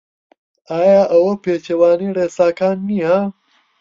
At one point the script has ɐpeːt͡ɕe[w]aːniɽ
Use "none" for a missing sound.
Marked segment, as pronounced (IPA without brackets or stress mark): w